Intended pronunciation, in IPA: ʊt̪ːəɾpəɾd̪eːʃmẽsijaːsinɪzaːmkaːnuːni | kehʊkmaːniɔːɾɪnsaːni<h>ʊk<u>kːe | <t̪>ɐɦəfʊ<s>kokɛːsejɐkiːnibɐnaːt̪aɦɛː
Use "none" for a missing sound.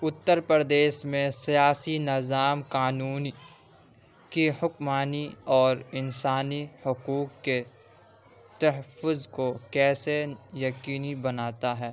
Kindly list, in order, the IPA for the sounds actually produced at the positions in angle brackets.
h, uː, t̪, z

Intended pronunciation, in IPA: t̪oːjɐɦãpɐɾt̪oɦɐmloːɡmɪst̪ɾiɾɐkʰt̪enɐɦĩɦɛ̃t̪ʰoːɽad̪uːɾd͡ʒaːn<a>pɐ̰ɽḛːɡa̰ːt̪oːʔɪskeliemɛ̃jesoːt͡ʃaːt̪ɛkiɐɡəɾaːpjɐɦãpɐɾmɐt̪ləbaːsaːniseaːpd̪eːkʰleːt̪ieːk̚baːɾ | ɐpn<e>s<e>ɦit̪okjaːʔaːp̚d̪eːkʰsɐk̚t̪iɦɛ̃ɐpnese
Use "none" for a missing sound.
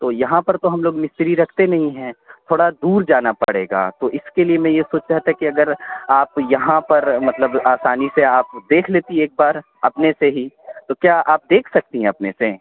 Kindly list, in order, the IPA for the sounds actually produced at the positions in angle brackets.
a, e, e

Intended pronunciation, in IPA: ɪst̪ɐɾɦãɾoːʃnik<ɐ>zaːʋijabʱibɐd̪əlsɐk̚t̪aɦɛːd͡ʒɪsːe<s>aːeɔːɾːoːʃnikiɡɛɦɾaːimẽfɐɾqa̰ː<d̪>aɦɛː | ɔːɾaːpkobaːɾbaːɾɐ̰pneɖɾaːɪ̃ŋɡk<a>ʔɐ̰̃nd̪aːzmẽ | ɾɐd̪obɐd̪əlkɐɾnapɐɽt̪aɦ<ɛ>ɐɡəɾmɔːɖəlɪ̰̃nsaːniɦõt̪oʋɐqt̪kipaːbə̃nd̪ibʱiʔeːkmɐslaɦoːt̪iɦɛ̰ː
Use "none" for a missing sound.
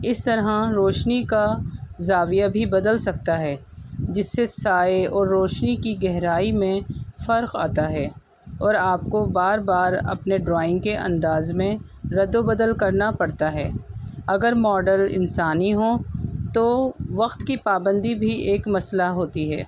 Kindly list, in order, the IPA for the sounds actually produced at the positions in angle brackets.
a, s, t̪, e, ɛː

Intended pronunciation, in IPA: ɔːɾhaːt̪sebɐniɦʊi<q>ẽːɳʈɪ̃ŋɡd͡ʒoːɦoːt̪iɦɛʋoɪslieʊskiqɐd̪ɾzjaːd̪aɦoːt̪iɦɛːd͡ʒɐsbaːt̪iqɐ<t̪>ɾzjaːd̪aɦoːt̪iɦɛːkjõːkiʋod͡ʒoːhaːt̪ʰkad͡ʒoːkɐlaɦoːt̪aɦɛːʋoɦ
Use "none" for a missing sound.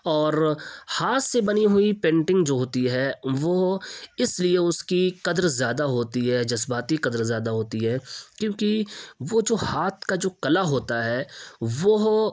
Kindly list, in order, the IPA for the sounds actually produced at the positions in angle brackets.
p, d̪

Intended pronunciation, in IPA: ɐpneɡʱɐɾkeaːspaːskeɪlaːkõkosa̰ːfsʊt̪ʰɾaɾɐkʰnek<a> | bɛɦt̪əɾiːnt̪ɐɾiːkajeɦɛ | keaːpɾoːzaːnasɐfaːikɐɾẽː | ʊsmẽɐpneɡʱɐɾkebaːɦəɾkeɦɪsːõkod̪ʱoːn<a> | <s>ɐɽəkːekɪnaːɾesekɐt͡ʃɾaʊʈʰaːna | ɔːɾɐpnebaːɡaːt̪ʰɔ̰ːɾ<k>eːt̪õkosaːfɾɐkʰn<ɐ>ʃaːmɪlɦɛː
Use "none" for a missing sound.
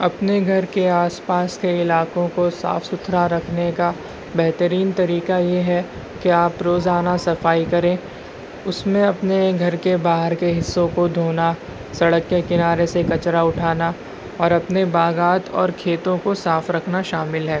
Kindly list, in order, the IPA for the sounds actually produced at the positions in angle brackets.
a, a, s, kʰ, a

